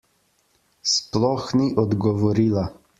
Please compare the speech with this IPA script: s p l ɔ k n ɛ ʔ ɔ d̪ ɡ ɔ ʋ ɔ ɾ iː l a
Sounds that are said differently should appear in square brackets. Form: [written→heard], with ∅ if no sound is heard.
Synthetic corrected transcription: s p l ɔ [k→x] n [ɛ→i] ʔ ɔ d̪ ɡ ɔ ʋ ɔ ɾ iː l a